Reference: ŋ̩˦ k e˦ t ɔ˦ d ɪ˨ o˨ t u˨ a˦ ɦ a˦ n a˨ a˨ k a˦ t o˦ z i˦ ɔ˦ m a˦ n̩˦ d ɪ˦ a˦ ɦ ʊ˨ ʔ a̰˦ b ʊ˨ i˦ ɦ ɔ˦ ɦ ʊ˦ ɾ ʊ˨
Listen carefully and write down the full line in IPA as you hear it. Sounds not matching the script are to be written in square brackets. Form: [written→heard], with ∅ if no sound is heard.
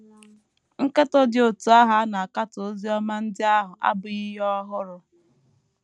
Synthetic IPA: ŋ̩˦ k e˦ t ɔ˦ d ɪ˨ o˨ t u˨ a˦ ɦ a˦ n a˨ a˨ k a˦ t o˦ z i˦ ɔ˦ m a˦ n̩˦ d ɪ˦ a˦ ɦ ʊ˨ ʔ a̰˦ b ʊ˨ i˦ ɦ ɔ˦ ɦ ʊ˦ ɾ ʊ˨